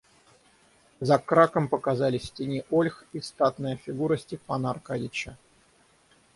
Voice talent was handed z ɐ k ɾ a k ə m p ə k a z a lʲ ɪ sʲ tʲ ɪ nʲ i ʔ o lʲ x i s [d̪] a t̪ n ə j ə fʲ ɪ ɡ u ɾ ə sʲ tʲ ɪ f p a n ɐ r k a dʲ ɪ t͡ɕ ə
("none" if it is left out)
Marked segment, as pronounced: t̪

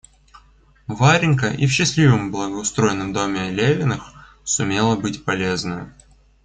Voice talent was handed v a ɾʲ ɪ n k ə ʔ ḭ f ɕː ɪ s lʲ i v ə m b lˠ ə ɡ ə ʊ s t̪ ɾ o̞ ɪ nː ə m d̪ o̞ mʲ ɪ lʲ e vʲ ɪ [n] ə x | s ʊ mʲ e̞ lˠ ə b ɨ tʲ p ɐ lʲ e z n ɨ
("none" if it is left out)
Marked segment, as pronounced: n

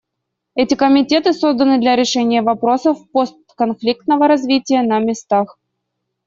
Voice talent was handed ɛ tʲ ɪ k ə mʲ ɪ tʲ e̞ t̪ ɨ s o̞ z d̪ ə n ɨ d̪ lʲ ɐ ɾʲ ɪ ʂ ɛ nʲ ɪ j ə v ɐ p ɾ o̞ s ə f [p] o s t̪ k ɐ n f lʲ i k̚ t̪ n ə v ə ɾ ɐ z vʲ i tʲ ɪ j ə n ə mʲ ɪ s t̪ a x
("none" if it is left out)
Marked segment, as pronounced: p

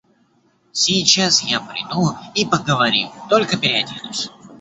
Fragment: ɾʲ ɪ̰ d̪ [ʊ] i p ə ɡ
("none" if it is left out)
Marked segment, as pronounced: u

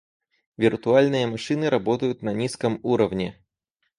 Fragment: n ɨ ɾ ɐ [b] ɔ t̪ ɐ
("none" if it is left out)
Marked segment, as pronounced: b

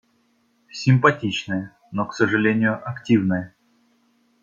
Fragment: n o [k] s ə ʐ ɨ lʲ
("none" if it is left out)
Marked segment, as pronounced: k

